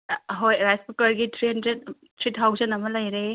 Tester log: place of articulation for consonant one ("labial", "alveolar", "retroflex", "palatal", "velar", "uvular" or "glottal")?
glottal